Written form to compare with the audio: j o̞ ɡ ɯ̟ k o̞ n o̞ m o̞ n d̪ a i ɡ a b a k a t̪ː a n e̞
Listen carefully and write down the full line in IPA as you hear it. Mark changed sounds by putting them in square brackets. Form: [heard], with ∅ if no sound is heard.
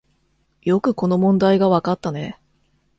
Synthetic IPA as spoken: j o̞ [k] ɯ̟ k o̞ n o̞ m [õ̞] n d̪ a i ɡ a [β] a k a t̪ː a n e̞